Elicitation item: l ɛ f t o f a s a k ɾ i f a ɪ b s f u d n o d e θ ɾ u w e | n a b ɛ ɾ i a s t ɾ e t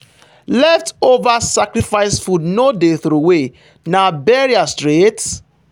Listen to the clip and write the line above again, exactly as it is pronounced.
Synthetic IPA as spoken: l ɛ f t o v a s a k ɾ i f a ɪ s f u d n o d e θ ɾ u w e | n a b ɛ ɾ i a s t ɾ e t